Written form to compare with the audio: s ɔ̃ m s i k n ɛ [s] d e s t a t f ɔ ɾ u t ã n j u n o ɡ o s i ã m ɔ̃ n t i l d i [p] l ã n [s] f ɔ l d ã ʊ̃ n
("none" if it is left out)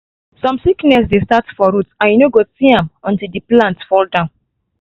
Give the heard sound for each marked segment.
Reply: s, p, t

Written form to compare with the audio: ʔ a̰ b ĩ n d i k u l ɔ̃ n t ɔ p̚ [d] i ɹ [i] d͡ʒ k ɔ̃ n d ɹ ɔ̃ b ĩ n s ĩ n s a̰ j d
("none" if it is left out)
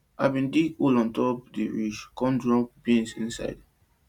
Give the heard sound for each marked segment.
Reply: d, i

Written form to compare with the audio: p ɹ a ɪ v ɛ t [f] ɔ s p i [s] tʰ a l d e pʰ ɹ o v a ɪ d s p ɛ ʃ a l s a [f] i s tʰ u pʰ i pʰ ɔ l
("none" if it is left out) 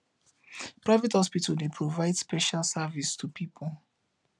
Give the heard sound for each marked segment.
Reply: h, none, v

